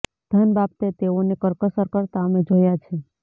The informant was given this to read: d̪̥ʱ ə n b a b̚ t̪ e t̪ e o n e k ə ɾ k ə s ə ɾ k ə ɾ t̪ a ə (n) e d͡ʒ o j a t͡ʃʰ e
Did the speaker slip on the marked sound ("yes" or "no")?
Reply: yes